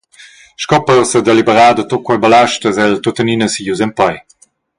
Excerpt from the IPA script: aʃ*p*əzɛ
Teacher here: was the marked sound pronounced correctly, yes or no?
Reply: no